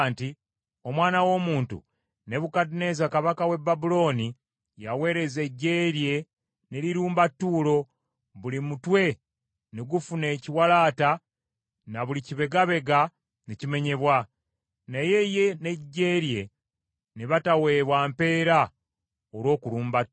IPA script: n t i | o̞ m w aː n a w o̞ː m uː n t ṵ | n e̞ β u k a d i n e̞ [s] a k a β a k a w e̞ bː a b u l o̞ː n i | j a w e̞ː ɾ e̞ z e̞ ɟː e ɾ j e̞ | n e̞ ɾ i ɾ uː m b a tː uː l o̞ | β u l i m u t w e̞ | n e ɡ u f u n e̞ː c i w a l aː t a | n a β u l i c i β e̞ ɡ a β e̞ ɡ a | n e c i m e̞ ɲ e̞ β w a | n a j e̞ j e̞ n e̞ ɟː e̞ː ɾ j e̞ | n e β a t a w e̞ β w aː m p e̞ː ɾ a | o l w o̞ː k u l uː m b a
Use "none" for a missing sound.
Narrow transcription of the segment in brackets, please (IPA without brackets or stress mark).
z